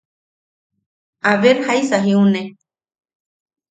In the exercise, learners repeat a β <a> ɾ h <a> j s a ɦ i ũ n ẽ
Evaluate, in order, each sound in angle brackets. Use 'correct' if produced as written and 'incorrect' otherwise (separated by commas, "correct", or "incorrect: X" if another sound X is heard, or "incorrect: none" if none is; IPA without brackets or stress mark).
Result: incorrect: e, correct